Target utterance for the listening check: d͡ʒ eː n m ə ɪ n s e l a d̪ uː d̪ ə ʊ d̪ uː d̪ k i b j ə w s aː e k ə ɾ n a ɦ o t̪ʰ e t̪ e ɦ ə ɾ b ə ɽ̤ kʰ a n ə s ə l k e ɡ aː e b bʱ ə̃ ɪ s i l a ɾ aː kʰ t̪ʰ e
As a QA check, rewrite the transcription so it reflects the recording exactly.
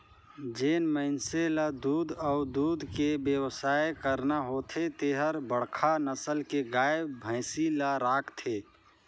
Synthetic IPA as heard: d͡ʒ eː n m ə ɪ n s e l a d̪ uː d̪ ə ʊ d̪ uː d̪ k e b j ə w s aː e k ə ɾ n a ɦ o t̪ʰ e t̪ e ɦ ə ɾ b ə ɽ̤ kʰ a n ə s ə l k e ɡ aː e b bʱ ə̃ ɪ s i l a ɾ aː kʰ t̪ʰ e